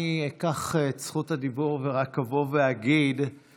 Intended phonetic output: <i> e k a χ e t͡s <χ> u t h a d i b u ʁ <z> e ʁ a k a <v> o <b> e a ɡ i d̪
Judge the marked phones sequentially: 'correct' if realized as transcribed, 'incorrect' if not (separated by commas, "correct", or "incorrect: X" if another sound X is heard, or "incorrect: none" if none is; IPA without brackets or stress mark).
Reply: correct, correct, incorrect: v, correct, incorrect: v